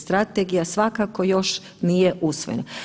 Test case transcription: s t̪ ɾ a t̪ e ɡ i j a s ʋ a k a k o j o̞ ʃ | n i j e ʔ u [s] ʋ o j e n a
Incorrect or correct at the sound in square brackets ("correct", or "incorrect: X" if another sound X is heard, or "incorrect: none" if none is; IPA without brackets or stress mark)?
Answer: correct